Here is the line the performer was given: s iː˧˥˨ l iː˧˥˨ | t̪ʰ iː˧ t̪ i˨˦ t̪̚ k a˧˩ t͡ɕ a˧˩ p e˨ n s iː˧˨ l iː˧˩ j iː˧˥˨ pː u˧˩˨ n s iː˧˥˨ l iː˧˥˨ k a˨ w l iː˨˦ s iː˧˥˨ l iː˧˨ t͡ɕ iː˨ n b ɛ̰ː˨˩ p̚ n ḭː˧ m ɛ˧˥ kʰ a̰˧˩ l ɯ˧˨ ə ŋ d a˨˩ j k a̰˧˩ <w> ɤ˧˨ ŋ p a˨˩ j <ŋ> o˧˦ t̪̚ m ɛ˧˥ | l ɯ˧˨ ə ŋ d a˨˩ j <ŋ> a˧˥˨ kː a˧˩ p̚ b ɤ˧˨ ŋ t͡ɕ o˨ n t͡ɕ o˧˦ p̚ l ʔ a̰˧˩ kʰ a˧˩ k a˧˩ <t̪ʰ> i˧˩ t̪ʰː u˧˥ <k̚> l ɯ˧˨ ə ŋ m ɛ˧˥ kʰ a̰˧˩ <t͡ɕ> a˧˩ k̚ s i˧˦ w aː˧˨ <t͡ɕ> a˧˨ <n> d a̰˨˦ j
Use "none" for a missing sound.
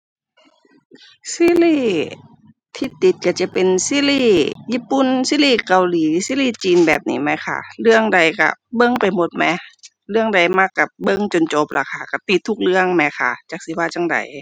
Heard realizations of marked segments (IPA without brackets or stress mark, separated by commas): b, m, m, t̪, k̚, t͡ɕ, t͡ɕ, ŋ